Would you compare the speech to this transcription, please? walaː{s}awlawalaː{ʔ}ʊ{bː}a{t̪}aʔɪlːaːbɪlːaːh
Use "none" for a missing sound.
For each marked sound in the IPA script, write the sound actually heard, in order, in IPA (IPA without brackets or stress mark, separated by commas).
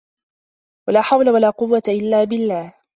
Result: ħ, q, wː, t̪